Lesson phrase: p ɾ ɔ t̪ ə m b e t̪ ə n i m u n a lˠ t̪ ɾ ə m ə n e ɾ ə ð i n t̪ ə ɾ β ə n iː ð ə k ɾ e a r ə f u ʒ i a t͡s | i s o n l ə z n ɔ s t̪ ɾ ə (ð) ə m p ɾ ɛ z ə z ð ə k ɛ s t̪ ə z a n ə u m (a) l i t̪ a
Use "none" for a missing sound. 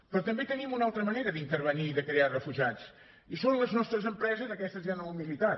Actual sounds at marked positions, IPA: z, i

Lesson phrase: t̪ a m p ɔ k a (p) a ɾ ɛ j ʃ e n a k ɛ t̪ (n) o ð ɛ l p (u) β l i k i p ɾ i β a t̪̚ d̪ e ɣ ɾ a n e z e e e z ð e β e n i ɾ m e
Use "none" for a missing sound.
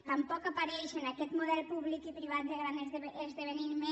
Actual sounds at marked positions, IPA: p, m, u

